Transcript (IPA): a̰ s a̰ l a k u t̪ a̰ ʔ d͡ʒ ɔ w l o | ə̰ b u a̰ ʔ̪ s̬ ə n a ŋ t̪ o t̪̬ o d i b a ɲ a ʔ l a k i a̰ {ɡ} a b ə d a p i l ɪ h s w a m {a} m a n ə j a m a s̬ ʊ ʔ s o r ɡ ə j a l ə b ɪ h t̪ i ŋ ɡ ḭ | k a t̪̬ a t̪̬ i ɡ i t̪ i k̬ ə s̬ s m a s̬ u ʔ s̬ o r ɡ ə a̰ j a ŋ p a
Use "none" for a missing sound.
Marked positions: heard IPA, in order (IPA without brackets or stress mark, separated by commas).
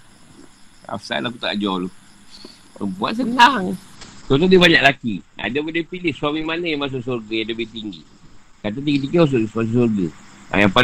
d, i